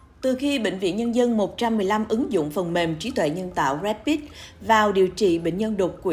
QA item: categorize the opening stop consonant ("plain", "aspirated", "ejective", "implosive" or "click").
plain